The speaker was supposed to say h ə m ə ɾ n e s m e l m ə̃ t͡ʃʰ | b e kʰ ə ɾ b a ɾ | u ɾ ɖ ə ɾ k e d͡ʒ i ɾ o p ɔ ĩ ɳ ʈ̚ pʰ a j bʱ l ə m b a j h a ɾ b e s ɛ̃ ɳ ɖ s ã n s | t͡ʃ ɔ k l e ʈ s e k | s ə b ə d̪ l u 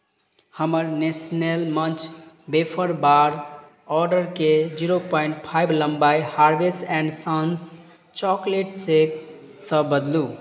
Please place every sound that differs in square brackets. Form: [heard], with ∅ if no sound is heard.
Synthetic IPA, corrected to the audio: h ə m ə ɾ n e s [n] e l m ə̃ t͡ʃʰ | b e [pʰ] ə ɾ b a ɾ | [ɔ] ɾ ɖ ə ɾ k e d͡ʒ i ɾ o p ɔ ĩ ɳ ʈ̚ pʰ a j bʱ l ə m b a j h a ɾ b e s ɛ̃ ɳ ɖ s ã n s | t͡ʃ ɔ k l e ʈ s e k | s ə b ə d̪ l u